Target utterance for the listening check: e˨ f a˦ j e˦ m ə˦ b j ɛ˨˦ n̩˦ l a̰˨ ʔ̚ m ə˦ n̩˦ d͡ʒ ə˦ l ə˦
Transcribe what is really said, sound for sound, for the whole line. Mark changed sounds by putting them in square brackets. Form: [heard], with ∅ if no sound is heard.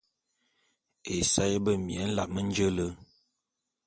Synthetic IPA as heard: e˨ [s] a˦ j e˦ [b] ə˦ [m] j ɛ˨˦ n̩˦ l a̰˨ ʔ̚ m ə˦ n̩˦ d͡ʒ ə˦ l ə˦